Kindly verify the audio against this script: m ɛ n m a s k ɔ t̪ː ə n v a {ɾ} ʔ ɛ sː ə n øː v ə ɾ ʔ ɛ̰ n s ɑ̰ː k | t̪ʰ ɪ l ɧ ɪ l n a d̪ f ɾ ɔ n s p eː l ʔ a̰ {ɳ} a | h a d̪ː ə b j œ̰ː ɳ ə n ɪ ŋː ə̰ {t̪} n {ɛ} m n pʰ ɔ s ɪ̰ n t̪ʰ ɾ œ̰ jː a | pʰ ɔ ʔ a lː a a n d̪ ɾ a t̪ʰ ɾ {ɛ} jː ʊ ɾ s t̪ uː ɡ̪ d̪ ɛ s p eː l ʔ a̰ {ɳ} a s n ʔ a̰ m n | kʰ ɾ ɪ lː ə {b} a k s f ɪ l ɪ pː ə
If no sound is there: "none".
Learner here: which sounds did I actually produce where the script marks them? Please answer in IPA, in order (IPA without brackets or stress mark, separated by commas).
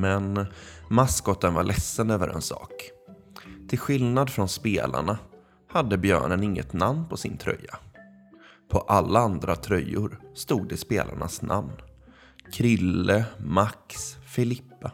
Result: ɭ, ɳ, t̪, a, œ, ɳ, m